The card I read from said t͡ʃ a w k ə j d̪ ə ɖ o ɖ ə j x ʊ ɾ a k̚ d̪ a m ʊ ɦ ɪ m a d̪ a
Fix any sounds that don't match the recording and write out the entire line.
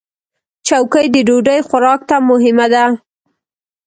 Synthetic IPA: t͡ʃ a w k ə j d̪ ə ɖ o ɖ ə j x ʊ ɾ ɑ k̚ t̪ a m ʊ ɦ ɪ m a d̪ a